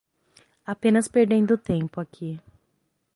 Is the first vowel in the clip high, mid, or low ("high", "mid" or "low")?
low